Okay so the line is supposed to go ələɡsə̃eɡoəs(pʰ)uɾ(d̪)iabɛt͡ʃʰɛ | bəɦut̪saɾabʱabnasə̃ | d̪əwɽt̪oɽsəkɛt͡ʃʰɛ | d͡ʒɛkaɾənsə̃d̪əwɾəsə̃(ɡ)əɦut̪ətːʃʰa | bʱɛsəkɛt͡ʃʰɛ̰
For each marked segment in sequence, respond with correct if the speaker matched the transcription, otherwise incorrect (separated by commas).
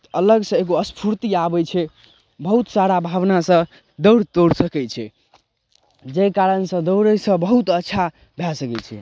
correct, incorrect, incorrect